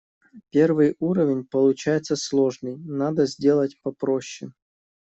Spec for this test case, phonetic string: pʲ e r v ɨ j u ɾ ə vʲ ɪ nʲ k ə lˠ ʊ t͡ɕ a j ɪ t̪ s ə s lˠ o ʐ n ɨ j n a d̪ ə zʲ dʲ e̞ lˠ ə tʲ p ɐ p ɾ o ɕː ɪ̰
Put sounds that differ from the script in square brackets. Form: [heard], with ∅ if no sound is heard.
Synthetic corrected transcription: pʲ e r v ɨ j u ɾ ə vʲ ɪ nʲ [p] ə lˠ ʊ t͡ɕ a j ɪ t̪ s ə s lˠ o ʐ n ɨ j n a d̪ ə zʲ dʲ e̞ lˠ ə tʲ p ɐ p ɾ o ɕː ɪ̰